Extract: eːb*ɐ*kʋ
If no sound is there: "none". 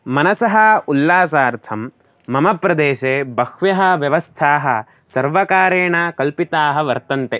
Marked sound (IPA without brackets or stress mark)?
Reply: ɐ